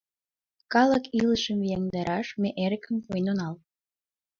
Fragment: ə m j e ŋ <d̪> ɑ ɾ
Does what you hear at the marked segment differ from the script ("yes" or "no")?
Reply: no